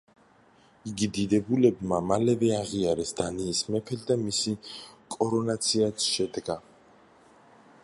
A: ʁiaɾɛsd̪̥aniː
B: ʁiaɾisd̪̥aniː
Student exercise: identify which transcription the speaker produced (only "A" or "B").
A